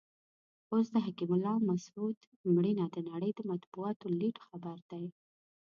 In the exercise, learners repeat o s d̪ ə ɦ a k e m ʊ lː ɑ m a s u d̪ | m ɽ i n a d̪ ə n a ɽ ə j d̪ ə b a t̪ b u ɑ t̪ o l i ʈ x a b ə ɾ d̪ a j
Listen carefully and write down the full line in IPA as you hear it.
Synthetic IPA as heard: o s d̪ ə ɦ a k i m ʊ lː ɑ m a s u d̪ | m ɽ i n a d̪ ə n a ɽ ə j d̪ ə m a t̪ b u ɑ t̪ o l i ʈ x a b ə ɾ d̪ a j